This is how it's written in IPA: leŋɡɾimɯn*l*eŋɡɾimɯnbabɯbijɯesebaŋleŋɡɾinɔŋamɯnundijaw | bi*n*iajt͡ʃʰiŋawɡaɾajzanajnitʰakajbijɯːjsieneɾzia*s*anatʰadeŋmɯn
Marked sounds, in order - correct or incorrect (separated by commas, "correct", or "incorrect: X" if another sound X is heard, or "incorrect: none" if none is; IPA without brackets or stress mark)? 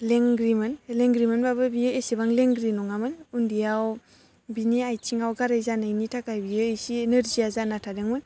correct, correct, incorrect: z